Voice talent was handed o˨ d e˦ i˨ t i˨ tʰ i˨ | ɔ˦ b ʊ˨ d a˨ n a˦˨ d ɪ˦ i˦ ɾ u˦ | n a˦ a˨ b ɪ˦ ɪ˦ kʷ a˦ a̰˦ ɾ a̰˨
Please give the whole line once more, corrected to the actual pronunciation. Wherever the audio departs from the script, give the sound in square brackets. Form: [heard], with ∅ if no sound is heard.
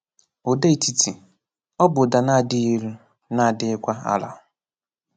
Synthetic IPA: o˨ d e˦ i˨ t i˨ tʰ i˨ | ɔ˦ b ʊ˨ d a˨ n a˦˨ d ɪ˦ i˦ ɾ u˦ | n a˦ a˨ [d] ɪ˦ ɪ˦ kʷ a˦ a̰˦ [l] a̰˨

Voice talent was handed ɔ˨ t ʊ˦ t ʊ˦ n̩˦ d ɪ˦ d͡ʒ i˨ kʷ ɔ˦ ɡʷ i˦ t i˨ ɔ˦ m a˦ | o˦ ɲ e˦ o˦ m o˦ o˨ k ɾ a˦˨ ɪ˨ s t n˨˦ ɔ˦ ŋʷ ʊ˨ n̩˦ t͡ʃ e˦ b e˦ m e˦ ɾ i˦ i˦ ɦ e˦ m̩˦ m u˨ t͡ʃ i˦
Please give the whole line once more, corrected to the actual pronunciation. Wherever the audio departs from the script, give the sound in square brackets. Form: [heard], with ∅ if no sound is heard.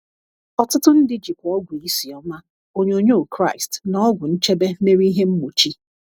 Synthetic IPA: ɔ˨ t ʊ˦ t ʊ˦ n̩˦ d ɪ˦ d͡ʒ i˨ kʷ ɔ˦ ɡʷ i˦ [s] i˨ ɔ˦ m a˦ | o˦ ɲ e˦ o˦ [ɲ] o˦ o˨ k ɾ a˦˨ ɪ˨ s t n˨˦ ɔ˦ [ɡʷ] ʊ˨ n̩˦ t͡ʃ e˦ b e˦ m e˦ ɾ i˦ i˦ ɦ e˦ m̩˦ m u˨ t͡ʃ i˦

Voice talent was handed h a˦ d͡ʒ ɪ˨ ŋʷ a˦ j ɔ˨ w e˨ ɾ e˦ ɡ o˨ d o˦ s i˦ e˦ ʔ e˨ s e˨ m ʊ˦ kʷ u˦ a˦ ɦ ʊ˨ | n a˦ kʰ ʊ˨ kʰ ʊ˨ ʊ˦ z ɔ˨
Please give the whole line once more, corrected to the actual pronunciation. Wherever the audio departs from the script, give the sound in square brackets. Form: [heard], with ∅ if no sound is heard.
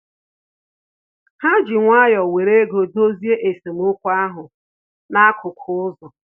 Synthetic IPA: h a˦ d͡ʒ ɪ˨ ŋʷ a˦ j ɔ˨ w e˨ ɾ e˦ ɡ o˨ d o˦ [z] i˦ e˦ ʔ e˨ s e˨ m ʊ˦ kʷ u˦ a˦ ɦ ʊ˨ | n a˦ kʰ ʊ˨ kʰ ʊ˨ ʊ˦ z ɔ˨

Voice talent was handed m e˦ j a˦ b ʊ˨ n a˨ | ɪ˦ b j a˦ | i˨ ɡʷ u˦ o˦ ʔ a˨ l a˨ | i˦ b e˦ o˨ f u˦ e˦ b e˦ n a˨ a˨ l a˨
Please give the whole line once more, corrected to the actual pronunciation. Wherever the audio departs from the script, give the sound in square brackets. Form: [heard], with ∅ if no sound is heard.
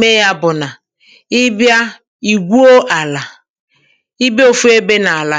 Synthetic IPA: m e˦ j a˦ b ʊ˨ n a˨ | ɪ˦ b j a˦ | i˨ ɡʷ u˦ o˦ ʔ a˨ l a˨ | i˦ b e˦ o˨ f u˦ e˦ b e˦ n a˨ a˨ l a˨

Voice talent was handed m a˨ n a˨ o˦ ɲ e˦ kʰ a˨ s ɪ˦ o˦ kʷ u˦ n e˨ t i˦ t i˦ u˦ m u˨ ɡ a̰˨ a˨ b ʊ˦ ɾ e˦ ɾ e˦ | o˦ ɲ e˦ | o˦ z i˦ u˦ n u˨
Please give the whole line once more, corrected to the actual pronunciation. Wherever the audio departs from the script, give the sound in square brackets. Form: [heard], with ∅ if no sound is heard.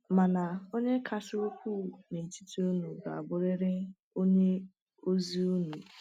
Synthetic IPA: m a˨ n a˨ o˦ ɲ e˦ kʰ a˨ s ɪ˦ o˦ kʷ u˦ n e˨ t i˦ t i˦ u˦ [n] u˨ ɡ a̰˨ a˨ b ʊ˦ ɾ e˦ ɾ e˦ | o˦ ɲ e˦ | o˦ z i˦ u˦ n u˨

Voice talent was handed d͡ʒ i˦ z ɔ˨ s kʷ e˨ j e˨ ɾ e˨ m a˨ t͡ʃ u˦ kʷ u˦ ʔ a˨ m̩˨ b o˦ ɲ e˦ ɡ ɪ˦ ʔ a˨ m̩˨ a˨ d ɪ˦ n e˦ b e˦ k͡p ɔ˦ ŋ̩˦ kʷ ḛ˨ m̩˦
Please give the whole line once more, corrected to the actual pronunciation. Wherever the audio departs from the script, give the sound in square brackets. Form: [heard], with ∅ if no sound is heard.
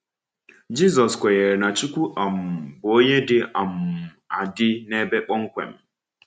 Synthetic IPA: d͡ʒ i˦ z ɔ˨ s kʷ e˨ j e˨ ɾ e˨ [n] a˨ t͡ʃ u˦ kʷ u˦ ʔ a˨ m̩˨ b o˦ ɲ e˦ [d] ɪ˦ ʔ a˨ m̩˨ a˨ d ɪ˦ n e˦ b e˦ k͡p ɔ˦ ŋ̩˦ kʷ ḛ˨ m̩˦

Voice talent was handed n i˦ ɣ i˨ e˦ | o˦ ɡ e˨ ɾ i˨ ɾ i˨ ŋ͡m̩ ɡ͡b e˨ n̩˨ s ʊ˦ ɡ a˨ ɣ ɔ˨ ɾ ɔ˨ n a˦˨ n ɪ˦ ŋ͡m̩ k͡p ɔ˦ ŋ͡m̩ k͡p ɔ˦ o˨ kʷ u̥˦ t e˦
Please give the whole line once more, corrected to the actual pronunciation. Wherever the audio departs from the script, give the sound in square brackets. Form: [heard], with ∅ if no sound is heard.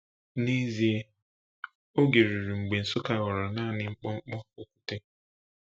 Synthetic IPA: n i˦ [z] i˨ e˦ | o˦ ɡ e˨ ɾ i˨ ɾ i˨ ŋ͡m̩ ɡ͡b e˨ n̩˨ s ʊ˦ [k] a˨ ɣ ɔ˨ ɾ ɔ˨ n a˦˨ n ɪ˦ ŋ͡m̩ k͡p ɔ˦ ŋ͡m̩ k͡p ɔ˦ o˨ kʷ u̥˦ t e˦

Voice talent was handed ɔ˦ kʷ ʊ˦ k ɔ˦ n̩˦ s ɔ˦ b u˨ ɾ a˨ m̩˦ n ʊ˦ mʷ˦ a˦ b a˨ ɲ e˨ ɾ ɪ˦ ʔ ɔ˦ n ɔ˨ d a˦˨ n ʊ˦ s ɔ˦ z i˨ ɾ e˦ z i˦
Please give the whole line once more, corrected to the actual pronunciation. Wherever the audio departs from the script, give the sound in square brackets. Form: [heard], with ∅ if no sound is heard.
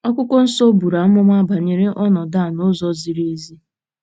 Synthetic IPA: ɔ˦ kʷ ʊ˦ k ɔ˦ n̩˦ s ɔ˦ b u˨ ɾ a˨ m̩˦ [m] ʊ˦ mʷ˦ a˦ b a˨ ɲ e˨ ɾ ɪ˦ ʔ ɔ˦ n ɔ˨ d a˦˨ n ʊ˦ [z] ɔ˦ z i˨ ɾ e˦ z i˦

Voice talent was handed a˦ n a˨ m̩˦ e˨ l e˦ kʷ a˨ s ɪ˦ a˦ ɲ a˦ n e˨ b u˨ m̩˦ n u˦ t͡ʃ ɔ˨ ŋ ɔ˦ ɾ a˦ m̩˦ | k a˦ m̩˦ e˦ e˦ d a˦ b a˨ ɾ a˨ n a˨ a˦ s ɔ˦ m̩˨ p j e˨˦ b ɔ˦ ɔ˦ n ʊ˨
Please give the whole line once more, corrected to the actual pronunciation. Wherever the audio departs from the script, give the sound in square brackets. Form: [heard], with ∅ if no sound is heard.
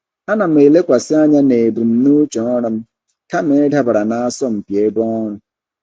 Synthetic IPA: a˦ n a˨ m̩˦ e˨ l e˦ kʷ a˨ s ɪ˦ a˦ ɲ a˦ n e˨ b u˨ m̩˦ n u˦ t͡ʃ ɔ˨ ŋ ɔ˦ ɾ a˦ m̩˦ | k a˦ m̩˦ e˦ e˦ d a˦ b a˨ ɾ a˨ n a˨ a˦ s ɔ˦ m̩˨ p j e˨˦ b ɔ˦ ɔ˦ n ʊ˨

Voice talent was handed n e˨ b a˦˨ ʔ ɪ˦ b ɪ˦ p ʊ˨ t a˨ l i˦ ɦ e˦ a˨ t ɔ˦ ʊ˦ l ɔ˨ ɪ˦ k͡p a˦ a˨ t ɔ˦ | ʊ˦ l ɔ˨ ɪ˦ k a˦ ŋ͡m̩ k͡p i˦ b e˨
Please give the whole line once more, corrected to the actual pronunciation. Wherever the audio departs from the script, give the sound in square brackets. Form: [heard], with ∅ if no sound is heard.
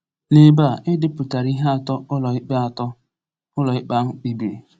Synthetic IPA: n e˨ b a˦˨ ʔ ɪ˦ [d] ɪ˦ p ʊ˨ t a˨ [ɾ] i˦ ɦ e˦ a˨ t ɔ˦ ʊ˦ l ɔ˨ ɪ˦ k͡p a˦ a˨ t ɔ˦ | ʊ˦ l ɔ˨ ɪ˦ [k͡p] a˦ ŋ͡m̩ k͡p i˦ b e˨

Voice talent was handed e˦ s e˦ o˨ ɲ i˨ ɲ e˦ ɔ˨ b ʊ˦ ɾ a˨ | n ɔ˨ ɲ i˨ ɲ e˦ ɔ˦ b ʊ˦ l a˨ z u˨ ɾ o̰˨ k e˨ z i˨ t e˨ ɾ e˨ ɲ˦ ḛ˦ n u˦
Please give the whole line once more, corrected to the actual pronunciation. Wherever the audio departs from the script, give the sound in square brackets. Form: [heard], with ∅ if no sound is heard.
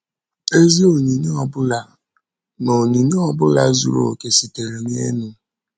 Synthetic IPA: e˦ [z] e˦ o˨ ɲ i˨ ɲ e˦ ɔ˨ b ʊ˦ [l] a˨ | n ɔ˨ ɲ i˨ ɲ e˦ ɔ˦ b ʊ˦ l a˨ z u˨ ɾ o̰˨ k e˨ [s] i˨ t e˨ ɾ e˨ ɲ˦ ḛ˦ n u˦

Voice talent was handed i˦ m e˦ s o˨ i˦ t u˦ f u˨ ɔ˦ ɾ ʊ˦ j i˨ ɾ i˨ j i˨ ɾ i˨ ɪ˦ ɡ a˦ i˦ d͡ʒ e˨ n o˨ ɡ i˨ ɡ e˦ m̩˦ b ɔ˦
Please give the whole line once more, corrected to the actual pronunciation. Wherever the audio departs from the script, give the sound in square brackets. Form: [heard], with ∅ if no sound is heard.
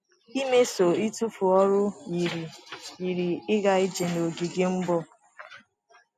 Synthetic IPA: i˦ m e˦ s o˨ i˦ t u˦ f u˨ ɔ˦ ɾ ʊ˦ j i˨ ɾ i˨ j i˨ ɾ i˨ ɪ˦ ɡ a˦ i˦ d͡ʒ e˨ n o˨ ɡ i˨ ɡ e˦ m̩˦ b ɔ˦

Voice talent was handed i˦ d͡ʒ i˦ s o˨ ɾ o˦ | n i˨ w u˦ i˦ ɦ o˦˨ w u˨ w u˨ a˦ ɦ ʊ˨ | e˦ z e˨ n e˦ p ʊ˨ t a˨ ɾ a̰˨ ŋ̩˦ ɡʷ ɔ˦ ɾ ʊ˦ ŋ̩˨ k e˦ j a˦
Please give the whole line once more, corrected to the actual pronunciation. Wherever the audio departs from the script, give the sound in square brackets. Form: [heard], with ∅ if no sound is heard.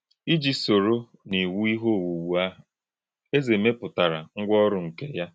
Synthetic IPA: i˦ d͡ʒ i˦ s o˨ ɾ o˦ | n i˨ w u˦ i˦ ɦ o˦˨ w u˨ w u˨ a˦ ɦ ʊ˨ | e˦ z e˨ [m] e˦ p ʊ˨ t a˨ ɾ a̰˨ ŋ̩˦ ɡʷ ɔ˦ ɾ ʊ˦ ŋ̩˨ k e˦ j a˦

